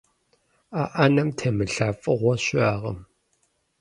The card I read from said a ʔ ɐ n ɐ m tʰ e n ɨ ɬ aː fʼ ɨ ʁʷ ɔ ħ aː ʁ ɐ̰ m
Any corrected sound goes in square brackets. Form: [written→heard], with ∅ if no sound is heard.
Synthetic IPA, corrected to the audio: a ʔ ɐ n ɐ m tʰ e [n→m] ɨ ɬ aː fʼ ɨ ʁʷ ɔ [ħ→ɕ] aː ʁ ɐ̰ m